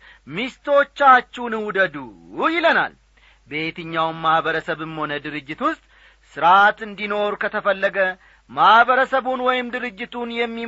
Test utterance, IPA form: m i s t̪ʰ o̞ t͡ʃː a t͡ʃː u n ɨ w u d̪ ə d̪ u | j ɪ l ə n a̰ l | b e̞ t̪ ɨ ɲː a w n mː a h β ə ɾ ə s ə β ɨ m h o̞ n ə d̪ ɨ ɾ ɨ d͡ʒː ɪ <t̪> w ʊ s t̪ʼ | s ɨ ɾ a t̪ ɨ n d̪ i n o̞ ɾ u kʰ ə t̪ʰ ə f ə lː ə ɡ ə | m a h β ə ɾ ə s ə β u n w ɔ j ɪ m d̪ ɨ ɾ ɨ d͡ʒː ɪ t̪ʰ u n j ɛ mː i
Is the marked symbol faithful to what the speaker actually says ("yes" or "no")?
yes